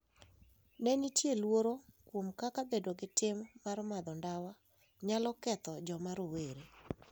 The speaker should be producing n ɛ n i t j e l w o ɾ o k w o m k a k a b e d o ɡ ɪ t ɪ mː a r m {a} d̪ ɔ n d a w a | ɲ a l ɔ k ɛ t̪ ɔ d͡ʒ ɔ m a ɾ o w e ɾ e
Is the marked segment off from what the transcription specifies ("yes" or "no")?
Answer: no